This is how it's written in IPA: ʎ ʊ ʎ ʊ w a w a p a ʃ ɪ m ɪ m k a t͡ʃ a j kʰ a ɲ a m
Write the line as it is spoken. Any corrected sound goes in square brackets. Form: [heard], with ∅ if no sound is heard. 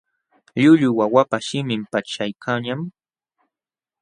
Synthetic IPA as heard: ʎ ʊ ʎ ʊ w a w a p a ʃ ɪ m ɪ m [p] a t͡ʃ a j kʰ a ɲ a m